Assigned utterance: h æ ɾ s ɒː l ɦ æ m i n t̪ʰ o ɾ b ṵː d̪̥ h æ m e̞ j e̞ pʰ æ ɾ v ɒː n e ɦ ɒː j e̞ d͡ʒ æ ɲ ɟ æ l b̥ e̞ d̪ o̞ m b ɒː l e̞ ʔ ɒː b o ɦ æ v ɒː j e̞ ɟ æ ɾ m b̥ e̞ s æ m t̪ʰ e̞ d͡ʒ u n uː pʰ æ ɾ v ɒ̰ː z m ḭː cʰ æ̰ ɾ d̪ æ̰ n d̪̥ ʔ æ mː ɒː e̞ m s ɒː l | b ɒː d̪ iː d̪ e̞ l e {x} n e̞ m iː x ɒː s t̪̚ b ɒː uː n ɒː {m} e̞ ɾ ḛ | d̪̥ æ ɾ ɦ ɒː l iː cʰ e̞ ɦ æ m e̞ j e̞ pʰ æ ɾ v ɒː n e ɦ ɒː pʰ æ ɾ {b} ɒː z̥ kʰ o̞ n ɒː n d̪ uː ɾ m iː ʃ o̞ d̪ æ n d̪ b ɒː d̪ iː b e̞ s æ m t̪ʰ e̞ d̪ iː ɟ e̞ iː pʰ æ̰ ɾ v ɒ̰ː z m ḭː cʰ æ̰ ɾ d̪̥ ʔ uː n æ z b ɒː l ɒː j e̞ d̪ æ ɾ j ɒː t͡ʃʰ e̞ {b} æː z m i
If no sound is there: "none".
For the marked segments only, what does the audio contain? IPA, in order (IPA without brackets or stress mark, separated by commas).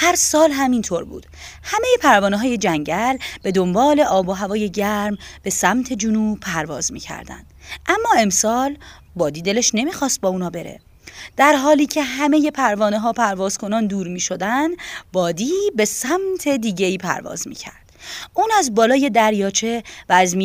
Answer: ʃ, b, v, v